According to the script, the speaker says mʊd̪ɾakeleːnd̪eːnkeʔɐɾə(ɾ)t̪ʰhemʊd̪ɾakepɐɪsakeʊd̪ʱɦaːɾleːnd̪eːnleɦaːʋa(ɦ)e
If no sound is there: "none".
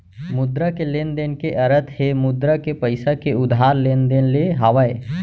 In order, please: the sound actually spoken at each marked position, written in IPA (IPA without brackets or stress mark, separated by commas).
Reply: none, none